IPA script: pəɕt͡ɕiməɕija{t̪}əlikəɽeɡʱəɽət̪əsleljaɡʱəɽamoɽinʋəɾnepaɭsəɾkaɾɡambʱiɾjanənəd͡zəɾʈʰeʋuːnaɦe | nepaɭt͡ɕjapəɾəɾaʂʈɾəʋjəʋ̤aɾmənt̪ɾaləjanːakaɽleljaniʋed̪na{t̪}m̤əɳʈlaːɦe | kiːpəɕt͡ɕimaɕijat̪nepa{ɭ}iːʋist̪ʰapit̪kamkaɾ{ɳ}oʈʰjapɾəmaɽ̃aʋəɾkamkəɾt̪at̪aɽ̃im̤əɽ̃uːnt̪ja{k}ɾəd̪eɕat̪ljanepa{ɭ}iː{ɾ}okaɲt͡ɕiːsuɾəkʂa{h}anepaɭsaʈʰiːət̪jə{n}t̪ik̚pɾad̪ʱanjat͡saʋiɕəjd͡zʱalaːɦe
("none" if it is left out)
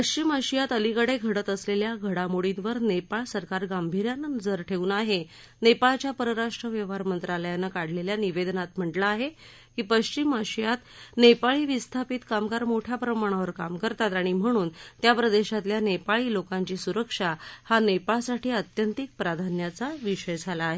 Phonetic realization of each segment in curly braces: t̪, t̪, ɭ, m, p, ɭ, l, h, n

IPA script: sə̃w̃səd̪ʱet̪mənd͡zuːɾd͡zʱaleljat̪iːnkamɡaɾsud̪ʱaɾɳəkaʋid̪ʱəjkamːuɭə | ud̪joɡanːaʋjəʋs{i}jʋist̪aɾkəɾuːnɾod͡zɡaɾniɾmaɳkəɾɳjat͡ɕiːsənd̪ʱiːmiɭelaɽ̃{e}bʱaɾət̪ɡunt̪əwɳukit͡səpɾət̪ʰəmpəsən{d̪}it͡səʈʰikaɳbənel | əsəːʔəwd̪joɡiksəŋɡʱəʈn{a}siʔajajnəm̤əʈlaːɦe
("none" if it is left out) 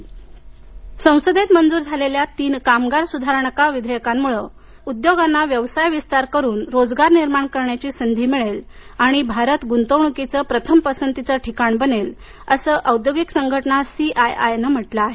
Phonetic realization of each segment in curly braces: a, i, t̪, a

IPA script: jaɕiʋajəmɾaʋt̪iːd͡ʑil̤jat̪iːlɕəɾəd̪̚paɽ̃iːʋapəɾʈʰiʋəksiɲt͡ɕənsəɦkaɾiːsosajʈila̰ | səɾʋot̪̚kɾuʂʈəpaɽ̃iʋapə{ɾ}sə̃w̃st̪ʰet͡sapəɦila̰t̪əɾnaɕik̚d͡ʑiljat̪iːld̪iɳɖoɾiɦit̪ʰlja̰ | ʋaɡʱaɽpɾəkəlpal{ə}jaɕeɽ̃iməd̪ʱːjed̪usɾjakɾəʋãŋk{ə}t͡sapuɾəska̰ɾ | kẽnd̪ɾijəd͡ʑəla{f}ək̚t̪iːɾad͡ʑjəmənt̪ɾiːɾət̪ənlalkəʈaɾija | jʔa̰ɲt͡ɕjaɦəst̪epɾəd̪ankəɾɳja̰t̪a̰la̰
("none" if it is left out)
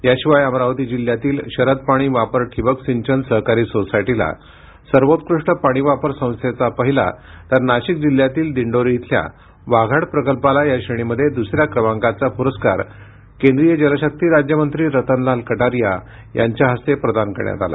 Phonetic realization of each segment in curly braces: ɾ, a, a, ɕ

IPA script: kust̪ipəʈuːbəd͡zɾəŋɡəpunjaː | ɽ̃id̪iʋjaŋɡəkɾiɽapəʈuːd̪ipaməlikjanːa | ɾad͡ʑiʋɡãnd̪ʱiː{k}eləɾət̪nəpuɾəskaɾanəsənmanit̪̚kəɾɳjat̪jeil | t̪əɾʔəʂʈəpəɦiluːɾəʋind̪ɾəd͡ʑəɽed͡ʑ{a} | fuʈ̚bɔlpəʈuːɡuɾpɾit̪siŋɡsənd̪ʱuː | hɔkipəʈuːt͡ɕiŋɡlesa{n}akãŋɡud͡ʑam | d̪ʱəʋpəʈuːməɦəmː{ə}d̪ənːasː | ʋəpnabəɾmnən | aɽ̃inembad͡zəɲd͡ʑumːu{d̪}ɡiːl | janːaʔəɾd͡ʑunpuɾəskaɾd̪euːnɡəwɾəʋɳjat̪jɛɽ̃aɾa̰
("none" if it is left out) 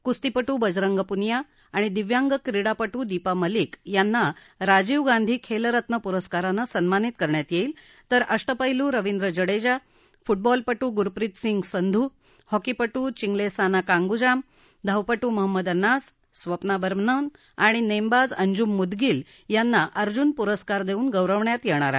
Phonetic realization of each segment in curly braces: kʰ, a, n, ə, d̪

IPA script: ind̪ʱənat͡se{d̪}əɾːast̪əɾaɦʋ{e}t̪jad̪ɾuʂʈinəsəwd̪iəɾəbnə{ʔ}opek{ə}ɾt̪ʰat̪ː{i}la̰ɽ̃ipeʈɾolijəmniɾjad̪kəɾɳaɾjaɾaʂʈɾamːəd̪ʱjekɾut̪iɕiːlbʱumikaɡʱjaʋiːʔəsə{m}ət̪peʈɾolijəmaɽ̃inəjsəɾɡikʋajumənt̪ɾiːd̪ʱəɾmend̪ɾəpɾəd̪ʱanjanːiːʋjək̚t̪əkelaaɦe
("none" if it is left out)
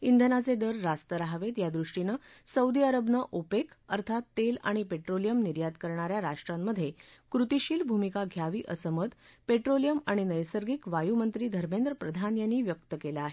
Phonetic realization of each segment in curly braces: d̪, e, ʔ, ə, e, m

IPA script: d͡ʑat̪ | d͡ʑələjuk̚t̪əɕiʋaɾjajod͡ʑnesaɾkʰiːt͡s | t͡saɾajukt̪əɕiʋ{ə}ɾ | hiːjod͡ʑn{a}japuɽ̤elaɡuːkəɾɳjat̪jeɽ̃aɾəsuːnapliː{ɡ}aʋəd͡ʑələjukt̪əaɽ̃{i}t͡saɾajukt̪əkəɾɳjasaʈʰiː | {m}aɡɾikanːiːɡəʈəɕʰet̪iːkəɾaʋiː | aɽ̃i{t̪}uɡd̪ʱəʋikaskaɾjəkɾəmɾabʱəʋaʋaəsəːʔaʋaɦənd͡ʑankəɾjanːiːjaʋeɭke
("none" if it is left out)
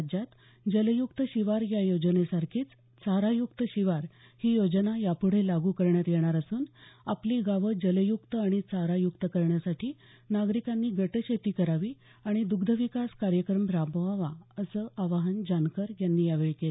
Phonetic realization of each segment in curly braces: a, a, ɡ, i, n, d̪

